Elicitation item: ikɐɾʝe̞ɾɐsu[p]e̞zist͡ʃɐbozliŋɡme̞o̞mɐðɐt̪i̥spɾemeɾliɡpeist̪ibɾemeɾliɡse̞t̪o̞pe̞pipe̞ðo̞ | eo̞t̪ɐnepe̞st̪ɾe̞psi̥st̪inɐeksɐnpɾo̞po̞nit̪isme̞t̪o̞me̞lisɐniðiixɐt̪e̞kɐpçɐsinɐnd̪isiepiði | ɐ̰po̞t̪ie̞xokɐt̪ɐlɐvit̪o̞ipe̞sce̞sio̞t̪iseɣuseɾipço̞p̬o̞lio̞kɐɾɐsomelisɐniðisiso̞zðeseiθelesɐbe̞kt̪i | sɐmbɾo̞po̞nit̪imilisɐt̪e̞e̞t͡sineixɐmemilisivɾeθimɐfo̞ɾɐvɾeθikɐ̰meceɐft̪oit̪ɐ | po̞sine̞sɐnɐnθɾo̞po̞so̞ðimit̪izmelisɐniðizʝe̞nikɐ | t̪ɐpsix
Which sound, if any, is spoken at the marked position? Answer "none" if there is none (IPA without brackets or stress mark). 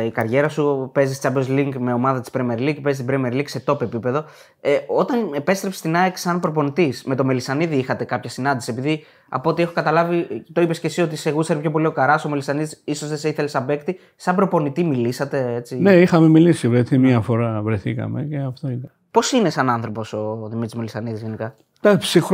p